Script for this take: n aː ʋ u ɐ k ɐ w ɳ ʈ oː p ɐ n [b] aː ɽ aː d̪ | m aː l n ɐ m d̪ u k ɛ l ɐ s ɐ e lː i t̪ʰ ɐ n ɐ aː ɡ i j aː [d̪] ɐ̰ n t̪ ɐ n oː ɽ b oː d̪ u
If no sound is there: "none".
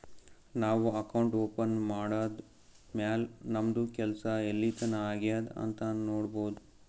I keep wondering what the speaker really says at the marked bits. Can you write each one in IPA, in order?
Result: m, d̪

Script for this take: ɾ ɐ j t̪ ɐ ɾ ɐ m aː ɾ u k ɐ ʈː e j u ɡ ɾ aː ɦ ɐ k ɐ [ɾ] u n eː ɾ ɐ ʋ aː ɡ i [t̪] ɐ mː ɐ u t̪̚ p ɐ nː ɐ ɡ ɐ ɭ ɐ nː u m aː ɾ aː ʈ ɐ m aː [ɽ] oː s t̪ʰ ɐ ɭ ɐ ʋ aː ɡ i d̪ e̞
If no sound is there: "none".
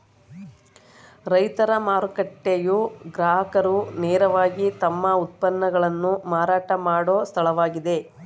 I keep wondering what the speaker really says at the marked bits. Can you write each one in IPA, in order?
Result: ɾ, t̪, ɽ

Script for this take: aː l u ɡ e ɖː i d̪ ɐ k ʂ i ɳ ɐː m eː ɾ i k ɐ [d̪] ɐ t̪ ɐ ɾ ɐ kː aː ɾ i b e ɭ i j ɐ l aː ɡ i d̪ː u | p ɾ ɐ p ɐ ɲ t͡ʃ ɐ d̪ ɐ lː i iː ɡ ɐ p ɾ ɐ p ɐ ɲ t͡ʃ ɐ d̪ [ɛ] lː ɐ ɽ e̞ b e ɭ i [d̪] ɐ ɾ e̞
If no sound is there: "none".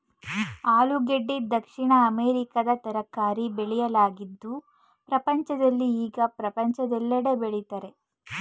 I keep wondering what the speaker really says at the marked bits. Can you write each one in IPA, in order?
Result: d̪, ɛ, t̪

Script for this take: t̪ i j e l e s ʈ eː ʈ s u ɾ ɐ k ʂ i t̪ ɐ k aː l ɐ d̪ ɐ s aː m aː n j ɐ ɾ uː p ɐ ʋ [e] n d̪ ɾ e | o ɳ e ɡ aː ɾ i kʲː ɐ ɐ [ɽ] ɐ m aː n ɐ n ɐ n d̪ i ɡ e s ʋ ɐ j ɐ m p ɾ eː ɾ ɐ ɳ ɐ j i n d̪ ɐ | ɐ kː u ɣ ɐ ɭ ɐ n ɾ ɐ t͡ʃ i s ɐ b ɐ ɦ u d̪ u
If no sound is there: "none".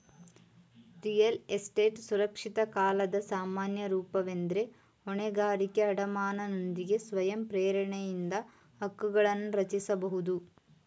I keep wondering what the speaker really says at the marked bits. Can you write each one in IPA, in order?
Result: e, ɽ

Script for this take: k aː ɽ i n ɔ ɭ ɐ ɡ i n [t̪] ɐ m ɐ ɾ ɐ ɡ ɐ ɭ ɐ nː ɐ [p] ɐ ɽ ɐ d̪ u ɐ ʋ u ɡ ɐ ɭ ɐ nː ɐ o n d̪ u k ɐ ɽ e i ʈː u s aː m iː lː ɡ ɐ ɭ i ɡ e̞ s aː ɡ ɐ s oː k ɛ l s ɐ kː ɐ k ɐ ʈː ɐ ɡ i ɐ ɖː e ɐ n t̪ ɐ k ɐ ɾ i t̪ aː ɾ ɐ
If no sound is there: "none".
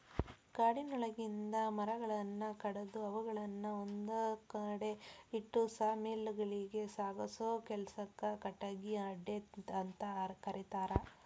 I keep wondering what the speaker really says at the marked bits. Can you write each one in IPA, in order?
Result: d̪, k

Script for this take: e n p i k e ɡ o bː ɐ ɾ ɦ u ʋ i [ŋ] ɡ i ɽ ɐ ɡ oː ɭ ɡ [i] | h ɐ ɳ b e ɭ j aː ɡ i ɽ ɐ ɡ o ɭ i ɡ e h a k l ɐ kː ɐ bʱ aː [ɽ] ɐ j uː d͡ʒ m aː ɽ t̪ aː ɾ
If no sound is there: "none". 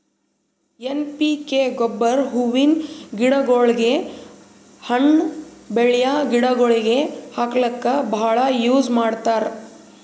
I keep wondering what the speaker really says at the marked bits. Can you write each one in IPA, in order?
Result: n, e, ɭ

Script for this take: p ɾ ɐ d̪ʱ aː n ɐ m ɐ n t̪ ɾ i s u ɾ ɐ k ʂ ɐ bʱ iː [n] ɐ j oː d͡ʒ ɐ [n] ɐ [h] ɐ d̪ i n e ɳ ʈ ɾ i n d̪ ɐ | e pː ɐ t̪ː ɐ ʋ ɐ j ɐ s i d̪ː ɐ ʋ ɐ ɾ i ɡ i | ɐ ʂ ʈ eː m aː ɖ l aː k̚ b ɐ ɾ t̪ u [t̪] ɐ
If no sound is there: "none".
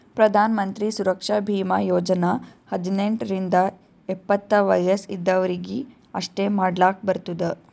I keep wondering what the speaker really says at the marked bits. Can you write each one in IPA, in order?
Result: m, n, h, d̪

